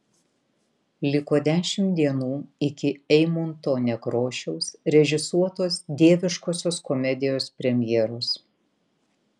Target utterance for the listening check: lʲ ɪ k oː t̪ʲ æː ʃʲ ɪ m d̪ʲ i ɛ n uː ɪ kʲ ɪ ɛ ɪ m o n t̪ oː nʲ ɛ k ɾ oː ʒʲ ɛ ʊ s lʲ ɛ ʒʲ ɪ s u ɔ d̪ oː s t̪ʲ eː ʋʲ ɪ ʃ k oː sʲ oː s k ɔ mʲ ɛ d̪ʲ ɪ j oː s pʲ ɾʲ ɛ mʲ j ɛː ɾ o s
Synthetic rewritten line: lʲ ɪ k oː d̪ʲ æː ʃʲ ɪ m d̪ʲ i ɛ n uː ɪ kʲ ɪ ɛ ɪ m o n t̪ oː nʲ ɛ k ɾ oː ʃʲ ɛ ʊ s ɾʲ ɛ ʒʲ ɪ s u ɔ t̪ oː s d̪ʲ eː ʋʲ ɪ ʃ k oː sʲ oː s k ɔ mʲ ɛ d̪ʲ ɪ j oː s pʲ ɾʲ ɛ mʲ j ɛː ɾ o s